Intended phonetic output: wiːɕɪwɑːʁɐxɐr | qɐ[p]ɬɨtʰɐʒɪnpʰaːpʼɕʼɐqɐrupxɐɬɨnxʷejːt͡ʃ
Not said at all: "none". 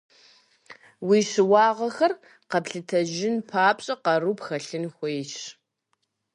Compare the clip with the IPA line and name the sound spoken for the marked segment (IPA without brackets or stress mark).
p